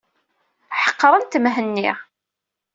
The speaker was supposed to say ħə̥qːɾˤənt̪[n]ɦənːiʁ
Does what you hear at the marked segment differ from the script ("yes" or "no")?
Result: yes